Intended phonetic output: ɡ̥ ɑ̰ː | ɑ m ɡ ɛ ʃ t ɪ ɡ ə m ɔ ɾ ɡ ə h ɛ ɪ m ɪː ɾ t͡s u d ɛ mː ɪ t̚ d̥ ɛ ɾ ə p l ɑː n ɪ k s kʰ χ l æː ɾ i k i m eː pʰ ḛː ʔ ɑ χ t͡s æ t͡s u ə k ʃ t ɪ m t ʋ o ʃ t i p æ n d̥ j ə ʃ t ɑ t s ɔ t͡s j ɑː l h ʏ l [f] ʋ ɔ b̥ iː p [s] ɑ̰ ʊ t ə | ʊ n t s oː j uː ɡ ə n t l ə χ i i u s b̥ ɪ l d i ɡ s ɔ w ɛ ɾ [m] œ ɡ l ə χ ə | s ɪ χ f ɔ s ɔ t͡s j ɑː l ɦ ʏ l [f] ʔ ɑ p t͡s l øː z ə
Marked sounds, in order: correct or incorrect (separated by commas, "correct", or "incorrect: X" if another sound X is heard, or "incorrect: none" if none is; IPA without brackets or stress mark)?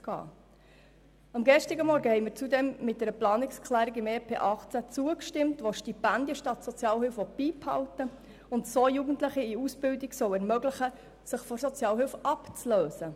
correct, incorrect: h, correct, correct